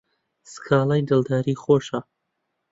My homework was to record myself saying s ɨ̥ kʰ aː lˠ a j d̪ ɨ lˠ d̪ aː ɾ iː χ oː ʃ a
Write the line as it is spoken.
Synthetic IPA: s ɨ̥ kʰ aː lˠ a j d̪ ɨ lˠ d̪ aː ɾ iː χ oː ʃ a